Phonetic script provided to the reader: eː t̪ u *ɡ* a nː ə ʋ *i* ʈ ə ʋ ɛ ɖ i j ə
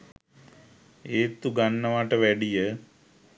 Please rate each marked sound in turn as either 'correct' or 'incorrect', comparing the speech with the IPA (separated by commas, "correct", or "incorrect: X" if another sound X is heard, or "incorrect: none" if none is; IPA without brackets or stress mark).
correct, incorrect: a